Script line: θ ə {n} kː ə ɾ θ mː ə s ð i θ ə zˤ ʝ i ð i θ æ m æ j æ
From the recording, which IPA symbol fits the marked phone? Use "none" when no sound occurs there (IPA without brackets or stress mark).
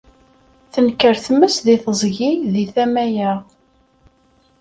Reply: n